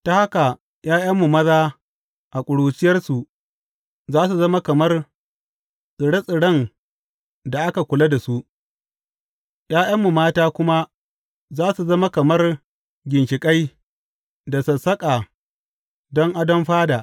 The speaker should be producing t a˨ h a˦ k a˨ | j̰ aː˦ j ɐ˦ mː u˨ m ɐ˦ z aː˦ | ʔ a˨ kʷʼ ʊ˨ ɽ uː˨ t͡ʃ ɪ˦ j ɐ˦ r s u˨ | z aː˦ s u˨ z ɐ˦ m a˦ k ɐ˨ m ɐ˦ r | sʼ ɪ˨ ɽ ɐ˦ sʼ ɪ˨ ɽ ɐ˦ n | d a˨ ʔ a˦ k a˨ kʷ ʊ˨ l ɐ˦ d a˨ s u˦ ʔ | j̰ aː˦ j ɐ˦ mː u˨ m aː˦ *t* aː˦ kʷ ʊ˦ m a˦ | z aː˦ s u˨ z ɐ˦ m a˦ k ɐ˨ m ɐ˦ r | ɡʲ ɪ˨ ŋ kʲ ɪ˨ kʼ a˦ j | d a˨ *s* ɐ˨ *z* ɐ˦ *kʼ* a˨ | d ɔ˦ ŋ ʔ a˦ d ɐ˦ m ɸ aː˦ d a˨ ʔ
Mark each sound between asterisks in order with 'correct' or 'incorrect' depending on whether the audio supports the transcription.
correct, correct, incorrect: s, correct

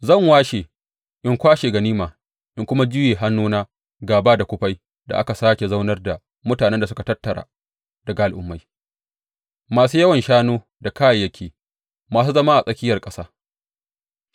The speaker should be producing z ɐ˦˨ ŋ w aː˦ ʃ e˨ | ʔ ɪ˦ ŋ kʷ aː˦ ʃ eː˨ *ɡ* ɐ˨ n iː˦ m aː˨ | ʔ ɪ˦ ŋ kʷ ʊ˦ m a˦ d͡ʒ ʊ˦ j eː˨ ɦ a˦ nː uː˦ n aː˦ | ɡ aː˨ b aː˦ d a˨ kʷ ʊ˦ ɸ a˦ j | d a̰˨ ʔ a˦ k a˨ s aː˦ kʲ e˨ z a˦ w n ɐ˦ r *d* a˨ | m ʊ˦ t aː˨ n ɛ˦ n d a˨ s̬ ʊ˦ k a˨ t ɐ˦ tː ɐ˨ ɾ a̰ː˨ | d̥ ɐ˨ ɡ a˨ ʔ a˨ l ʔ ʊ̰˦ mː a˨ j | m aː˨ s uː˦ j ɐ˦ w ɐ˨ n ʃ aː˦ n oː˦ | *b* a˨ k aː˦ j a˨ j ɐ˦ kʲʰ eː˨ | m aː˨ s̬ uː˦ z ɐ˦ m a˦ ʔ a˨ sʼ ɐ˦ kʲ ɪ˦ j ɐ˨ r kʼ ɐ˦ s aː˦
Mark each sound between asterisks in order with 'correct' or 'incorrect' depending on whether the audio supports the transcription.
correct, correct, incorrect: d

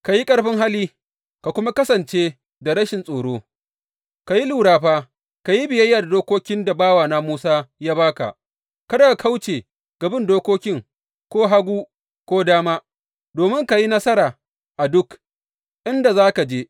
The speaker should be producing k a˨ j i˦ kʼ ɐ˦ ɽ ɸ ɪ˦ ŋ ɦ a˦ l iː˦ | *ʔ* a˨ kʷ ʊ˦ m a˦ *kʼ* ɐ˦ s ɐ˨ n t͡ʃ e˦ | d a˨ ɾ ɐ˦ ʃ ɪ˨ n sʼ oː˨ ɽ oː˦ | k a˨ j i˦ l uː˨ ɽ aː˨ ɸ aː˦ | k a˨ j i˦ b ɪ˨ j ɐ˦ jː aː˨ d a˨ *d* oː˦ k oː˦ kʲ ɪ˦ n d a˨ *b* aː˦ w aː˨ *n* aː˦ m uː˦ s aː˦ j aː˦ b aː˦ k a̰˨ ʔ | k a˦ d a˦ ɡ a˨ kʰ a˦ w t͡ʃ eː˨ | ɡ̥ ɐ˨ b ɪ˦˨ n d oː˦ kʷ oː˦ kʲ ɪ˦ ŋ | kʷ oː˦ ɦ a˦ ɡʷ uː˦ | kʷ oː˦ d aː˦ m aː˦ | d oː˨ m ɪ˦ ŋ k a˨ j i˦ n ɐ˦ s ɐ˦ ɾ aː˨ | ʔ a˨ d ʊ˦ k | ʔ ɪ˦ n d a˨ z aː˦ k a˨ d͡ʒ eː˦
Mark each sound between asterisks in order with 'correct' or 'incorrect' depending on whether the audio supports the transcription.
incorrect: k, incorrect: k, correct, correct, correct

